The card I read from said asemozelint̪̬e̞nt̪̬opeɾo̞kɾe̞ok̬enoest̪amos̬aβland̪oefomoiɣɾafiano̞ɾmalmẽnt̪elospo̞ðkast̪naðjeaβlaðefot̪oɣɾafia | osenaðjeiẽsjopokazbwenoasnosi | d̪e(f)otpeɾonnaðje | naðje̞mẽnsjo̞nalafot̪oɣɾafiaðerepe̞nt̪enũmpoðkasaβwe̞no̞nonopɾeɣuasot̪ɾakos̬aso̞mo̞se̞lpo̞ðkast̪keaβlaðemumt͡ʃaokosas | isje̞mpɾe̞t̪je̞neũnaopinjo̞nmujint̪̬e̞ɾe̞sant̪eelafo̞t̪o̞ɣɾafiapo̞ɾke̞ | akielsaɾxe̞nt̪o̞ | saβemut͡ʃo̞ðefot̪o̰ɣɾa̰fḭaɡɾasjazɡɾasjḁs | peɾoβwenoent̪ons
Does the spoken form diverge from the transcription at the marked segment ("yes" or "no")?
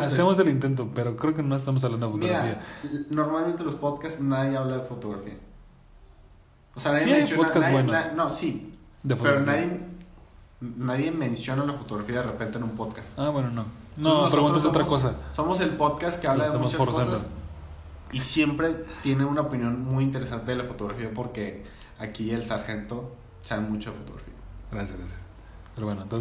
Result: no